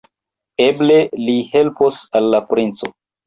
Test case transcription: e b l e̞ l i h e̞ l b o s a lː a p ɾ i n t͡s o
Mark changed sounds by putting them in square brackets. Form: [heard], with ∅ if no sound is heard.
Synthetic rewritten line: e b l e̞ l i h e̞ l [p] o s a lː a p ɾ i n t͡s o